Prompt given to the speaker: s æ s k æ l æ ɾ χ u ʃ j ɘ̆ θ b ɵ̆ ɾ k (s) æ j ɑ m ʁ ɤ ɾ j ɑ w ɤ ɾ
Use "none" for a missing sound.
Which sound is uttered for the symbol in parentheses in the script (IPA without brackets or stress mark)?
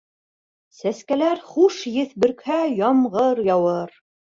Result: h